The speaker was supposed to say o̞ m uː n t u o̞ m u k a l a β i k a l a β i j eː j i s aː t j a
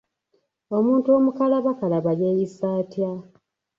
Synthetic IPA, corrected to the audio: o̞ m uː n t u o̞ m u k a l a β a k a l a β a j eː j i s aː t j a